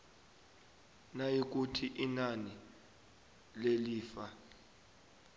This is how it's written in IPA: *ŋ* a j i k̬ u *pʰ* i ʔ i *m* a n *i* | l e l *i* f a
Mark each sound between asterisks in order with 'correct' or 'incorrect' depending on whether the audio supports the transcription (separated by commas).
incorrect, incorrect, incorrect, correct, incorrect